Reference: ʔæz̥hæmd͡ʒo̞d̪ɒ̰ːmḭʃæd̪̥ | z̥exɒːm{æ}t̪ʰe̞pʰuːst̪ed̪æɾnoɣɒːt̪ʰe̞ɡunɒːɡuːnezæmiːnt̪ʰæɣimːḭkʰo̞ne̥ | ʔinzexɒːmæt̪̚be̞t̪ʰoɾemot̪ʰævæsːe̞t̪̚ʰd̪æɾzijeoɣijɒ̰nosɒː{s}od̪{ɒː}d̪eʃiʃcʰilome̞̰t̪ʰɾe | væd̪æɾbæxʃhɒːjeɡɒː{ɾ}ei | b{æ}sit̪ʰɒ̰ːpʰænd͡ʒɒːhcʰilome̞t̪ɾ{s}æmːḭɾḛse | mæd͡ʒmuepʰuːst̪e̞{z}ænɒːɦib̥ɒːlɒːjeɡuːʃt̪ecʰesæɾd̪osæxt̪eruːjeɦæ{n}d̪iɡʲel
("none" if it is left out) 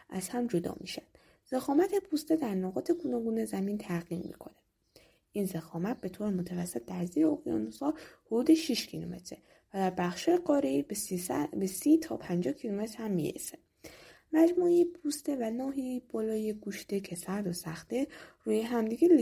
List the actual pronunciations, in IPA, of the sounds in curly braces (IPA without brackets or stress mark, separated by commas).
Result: æ, h, uː, ɾ, e, h, v, m